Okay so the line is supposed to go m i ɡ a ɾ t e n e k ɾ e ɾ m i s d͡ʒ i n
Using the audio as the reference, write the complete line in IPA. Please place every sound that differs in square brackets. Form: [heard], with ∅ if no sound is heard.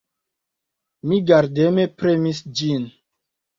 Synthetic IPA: m i ɡ a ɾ [d] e [m] e [p] ɾ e [∅] m i s d͡ʒ i n